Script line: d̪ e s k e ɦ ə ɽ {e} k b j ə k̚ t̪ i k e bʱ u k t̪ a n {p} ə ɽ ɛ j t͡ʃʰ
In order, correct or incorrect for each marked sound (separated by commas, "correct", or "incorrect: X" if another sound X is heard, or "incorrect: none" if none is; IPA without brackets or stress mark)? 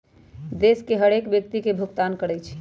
correct, incorrect: k